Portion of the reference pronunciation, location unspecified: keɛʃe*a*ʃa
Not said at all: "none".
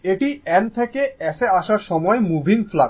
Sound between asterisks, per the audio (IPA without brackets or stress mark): a